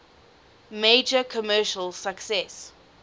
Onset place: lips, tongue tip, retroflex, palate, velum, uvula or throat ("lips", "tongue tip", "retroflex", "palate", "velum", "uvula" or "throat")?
lips